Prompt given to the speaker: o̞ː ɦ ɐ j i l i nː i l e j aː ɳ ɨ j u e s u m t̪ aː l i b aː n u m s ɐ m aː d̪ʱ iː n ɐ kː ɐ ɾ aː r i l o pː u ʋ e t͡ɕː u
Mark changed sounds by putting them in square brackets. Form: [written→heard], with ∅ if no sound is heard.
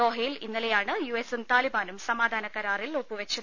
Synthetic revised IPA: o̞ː ɦ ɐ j i l i nː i l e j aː ɳ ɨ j u e s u m t̪ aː l i b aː n u m s ɐ m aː d̪ʱ [iː→aː] n ɐ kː ɐ ɾ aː r i l o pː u ʋ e t͡ɕː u